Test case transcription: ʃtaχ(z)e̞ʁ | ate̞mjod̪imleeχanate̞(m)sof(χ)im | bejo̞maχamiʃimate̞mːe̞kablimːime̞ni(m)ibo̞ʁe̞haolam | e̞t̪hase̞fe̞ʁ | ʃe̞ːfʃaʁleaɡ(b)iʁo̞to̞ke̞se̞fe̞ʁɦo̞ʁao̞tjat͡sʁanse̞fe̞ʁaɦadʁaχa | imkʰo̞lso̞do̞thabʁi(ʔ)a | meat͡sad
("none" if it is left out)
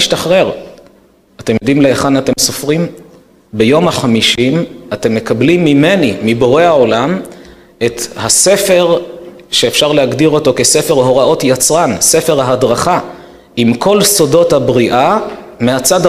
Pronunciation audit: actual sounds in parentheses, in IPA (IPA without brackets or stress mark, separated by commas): ʁ, m, ʁ, m, d, ʔ